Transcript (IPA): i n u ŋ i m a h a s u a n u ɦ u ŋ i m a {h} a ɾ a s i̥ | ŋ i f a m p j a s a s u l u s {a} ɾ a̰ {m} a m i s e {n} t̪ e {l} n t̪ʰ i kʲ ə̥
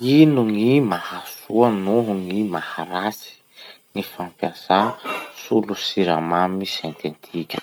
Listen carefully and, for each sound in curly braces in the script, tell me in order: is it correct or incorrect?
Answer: correct, incorrect: i, correct, correct, incorrect: none

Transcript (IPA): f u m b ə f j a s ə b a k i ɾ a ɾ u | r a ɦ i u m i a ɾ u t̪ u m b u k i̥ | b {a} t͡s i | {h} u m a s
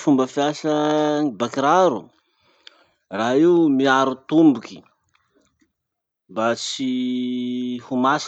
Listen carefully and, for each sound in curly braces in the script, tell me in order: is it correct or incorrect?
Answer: correct, correct

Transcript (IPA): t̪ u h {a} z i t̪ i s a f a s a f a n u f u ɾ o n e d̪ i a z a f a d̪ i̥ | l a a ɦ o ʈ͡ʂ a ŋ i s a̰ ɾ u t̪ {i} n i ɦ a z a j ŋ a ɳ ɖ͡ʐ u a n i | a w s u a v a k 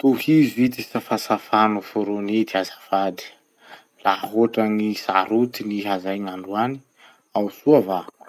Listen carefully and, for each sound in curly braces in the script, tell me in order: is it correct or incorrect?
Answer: incorrect: i, correct

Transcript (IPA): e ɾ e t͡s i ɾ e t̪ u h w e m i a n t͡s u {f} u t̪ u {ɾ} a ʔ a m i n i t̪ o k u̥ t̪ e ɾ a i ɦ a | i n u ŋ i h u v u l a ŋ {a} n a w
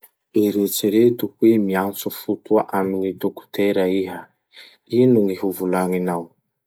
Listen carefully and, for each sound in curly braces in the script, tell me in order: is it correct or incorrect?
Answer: correct, incorrect: none, incorrect: i

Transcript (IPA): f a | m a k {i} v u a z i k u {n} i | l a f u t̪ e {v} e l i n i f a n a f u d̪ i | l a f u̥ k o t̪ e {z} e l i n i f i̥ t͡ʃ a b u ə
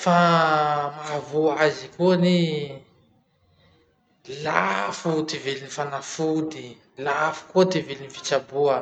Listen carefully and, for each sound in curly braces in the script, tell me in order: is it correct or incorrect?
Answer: incorrect: a, correct, correct, incorrect: v

